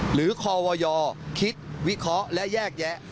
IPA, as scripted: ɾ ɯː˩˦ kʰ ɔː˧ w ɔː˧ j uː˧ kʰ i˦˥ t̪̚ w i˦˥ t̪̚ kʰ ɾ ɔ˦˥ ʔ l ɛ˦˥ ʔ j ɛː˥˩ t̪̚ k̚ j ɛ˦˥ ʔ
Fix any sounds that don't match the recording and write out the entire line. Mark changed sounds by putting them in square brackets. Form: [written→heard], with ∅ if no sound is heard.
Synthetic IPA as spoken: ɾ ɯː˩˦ kʰ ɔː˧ w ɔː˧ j [uː˧→ɔː˧] kʰ i˦˥ t̪̚ w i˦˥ [t̪̚→∅] kʰ ɾ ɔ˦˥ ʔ l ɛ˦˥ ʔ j ɛː˥˩ [t̪̚→∅] k̚ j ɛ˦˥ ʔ